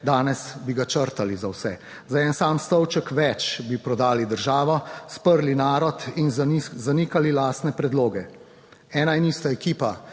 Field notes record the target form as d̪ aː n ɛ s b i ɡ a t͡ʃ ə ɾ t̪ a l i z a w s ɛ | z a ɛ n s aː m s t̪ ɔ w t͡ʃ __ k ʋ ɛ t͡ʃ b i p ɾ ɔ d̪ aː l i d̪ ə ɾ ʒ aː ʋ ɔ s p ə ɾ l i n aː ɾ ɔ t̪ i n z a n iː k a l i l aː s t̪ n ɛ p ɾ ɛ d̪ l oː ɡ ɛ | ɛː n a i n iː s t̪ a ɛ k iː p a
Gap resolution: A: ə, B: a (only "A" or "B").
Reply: A